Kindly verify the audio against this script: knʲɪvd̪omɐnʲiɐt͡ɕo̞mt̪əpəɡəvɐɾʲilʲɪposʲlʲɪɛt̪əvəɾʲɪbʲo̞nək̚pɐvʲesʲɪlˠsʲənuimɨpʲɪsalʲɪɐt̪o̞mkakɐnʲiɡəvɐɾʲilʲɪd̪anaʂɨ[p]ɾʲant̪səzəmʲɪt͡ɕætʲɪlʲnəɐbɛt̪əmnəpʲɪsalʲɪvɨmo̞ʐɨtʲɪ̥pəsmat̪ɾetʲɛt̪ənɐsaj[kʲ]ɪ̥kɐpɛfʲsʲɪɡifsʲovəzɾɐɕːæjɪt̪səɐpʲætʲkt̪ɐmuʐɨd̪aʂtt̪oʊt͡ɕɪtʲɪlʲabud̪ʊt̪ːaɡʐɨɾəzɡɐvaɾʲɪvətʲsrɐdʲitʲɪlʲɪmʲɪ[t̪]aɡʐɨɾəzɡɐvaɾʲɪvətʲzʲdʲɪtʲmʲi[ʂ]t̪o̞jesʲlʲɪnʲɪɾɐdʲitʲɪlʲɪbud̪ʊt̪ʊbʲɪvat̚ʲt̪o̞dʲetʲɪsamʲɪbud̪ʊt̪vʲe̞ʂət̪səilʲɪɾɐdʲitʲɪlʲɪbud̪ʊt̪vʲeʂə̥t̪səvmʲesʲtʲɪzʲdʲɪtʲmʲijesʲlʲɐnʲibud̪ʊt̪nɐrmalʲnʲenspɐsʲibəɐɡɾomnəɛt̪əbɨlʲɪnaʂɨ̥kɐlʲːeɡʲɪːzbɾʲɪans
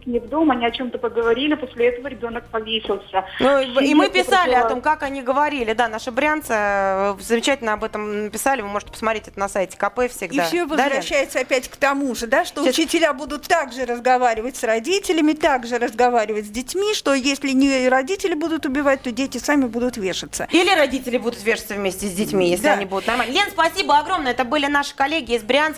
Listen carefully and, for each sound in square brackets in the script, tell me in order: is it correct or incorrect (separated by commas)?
incorrect, incorrect, correct, correct